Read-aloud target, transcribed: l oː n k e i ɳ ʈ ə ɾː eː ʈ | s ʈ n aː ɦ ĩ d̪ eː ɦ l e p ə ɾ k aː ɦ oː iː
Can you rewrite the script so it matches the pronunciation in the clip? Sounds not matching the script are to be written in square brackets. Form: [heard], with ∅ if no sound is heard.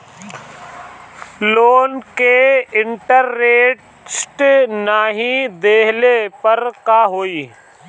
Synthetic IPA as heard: l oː n k e [ɪ] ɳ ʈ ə ɾː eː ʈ | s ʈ n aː ɦ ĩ d̪ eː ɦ l e p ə ɾ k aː ɦ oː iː